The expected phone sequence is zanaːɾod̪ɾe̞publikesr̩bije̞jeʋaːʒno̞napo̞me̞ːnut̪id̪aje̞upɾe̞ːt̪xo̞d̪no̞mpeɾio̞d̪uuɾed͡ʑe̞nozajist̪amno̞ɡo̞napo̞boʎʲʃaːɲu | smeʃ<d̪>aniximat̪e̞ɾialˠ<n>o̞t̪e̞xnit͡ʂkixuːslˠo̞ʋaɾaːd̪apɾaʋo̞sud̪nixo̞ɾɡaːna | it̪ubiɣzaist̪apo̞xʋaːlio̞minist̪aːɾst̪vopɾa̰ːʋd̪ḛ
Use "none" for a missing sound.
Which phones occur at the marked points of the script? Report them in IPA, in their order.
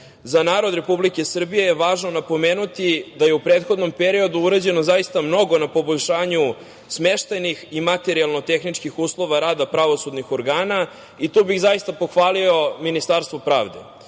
t̪, n

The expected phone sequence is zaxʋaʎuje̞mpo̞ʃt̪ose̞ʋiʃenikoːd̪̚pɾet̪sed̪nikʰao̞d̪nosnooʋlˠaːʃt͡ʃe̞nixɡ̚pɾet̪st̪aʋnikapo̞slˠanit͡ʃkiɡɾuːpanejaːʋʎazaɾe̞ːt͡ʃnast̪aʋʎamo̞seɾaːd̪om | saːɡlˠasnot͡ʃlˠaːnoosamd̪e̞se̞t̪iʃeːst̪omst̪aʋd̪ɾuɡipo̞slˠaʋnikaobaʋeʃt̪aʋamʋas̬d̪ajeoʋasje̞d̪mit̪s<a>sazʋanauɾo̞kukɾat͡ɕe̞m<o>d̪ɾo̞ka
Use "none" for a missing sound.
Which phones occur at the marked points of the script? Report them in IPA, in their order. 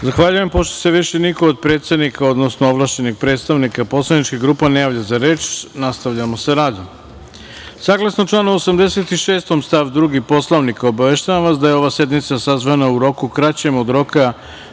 a, o

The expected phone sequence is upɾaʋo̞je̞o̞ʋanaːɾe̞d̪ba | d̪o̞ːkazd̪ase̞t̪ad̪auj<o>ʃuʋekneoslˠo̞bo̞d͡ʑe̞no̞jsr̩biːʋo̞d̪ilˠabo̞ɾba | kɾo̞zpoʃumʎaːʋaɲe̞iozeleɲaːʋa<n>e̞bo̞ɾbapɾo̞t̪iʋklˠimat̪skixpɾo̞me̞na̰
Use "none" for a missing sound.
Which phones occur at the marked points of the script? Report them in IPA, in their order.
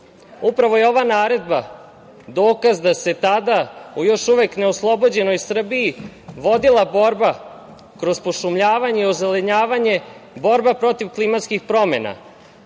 o, ɲ

